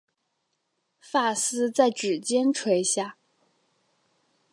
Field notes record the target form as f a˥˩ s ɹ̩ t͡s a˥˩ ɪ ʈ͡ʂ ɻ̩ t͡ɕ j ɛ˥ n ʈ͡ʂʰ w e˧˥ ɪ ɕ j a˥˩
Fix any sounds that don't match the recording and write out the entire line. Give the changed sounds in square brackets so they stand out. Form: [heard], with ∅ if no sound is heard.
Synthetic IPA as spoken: f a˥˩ s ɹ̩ t͡s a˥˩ ɪ ʈ͡ʂ ɻ̩ t͡ɕ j ɛ˥ n ʈ͡ʂʰ w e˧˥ ɪ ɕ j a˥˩